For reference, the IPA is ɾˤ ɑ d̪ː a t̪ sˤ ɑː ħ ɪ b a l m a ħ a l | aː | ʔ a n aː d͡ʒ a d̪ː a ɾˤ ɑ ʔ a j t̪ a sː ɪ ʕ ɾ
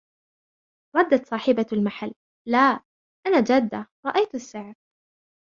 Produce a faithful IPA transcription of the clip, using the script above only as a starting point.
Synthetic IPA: ɾˤ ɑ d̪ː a t̪ sˤ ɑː ħ ɪ b a l m a ħ a lː | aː | ʔ a n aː d͡ʒ a d̪ː a ɾˤ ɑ ʔ a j t̪ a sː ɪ ʕ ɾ